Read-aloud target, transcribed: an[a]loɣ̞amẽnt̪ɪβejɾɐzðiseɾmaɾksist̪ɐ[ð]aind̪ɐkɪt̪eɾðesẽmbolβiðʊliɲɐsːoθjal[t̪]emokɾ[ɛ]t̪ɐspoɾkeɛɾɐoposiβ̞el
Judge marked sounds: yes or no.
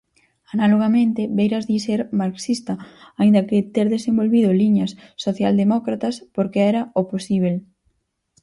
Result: yes, no, no, no

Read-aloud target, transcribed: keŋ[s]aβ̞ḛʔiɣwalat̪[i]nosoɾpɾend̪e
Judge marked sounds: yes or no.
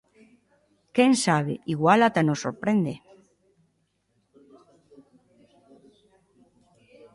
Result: yes, no

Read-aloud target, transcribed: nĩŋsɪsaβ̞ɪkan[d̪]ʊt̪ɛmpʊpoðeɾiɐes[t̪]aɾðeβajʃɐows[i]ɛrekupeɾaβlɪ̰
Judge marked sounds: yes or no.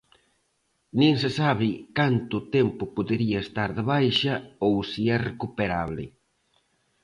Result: no, yes, yes

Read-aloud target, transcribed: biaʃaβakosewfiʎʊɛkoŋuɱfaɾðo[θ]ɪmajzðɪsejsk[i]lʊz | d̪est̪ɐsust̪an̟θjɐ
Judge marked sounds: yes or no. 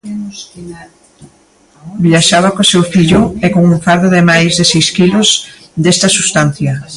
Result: no, yes

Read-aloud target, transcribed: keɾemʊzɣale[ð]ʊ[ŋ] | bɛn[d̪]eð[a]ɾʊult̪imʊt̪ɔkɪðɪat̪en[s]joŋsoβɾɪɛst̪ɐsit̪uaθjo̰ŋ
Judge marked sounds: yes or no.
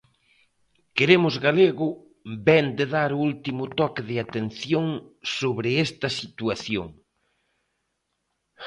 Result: no, no, yes, yes, no

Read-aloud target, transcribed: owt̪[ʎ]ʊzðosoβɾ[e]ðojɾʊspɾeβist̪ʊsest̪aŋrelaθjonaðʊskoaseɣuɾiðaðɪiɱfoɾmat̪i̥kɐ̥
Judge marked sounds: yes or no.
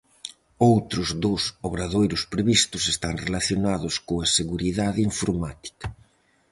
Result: no, no

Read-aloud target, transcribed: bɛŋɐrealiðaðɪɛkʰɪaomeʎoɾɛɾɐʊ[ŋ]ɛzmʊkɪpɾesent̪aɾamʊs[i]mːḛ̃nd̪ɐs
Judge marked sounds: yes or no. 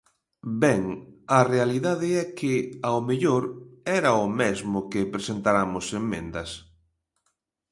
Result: no, no

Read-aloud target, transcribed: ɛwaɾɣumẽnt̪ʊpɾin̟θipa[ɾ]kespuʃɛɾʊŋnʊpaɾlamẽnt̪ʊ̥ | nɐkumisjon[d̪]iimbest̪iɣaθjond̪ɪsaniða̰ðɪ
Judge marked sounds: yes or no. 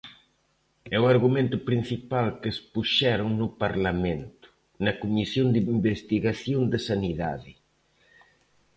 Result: no, yes

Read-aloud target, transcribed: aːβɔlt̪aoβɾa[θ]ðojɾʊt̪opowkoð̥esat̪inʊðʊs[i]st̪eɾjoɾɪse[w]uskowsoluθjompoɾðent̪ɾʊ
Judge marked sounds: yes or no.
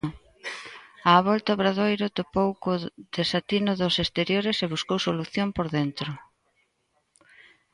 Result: no, no, no

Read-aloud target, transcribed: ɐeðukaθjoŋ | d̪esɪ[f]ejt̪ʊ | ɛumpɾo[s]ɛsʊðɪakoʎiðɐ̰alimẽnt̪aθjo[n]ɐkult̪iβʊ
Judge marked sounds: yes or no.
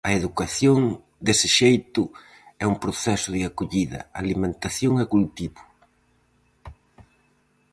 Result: no, no, no

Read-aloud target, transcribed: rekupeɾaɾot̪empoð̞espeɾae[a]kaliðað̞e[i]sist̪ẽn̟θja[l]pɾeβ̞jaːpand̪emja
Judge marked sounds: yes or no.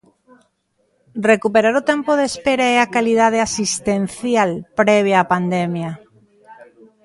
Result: yes, no, yes

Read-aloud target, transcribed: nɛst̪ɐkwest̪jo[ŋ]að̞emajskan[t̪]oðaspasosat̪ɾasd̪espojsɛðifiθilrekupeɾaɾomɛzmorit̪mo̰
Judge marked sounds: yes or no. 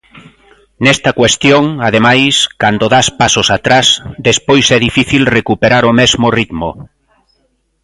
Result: yes, no

